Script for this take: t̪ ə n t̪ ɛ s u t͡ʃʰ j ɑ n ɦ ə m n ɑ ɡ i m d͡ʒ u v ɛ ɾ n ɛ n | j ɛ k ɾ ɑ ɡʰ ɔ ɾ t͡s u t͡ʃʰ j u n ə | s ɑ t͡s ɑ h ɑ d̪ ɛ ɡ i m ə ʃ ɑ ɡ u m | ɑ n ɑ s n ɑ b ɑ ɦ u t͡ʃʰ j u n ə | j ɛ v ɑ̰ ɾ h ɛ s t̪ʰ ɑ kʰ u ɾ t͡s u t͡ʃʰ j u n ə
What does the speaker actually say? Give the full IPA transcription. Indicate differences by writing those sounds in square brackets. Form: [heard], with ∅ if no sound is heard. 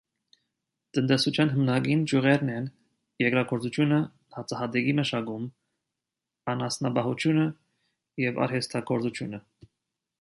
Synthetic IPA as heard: t̪ ə n t̪ ɛ s u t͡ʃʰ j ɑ n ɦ ə m n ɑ ɡ i [n] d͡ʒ u [ʁ] ɛ ɾ n ɛ n | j ɛ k ɾ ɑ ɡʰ ɔ ɾ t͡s u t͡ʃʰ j u n ə | [h] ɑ t͡s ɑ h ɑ d̪ ɛ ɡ i m ə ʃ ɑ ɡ u m | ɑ n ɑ s n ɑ b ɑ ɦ u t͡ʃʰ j u n ə | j ɛ v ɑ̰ ɾ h ɛ s t̪ʰ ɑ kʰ [ɔ] ɾ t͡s u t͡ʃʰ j u n ə